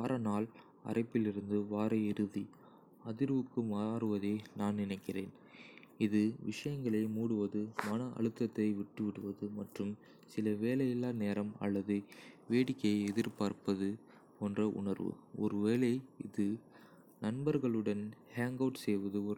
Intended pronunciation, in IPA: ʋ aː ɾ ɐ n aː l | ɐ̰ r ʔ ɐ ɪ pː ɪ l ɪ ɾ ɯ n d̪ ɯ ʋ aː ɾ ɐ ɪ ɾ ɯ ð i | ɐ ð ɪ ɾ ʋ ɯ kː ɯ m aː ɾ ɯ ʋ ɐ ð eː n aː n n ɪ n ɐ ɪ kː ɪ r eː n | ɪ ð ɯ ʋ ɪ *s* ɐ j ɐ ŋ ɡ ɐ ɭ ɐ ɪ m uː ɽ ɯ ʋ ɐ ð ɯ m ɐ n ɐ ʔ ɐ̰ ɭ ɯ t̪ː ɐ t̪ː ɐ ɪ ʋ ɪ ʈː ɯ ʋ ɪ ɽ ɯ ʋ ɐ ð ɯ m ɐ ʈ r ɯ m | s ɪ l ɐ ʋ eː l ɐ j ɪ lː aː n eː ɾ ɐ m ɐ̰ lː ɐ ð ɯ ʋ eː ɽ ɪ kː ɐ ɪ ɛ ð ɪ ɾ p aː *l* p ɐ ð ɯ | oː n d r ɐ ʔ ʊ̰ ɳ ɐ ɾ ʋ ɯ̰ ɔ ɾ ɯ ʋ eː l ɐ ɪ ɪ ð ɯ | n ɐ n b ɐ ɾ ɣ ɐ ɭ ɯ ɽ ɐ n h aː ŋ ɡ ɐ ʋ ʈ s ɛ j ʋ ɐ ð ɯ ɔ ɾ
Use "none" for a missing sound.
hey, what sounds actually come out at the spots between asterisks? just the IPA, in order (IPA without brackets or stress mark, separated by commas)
ʂ, ɾ